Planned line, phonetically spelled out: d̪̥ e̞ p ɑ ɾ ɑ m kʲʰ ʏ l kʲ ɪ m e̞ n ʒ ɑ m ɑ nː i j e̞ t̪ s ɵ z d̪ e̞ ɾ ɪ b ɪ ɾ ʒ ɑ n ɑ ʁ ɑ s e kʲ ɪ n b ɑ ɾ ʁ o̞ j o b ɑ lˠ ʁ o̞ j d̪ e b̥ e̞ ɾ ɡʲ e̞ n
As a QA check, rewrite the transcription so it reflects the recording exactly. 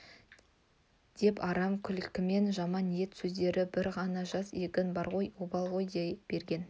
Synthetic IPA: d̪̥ e̞ p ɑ ɾ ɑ m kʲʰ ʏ l kʲ ɪ m e̞ n ʒ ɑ m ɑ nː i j e̞ t̪ s ɵ z d̪ e̞ ɾ ɪ b ɪ ɾ ʁ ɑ n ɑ ʒ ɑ s e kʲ ɪ n b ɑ ɾ ʁ o̞ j o b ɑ lˠ ʁ o̞ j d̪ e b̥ e̞ ɾ ɡʲ e̞ n